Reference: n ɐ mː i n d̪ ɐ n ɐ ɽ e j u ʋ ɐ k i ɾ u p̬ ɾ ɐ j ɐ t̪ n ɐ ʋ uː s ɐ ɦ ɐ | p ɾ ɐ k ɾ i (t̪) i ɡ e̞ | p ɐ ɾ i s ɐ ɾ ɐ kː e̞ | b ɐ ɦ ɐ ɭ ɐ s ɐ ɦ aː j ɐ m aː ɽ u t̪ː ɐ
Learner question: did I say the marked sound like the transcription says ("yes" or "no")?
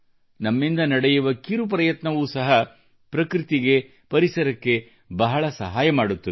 yes